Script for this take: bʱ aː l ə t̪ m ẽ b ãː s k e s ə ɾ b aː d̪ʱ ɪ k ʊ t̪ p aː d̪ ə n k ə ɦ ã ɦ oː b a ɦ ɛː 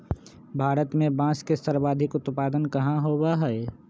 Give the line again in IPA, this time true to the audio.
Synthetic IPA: bʱ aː ɾ ə t̪ m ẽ b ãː s k e s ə ɾ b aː d̪ʱ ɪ k ʊ t̪ p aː d̪ ə n k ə ɦ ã ɦ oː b a ɦ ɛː